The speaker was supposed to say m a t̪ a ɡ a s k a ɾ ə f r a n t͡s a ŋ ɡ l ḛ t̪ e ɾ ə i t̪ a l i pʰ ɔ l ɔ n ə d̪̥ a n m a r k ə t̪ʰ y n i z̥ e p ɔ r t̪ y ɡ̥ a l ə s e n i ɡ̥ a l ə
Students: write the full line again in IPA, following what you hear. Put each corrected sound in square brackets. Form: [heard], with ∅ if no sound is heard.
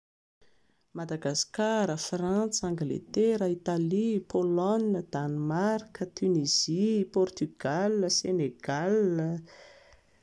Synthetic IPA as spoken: m a [d̪] a ɡ a s k a ɾ ə f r a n t͡s a ŋ ɡ l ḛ t̪ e ɾ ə i t̪ a l i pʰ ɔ l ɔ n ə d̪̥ a n m a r k ə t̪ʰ y n i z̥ [i] p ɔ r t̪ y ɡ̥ a l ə s e n [e] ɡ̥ a l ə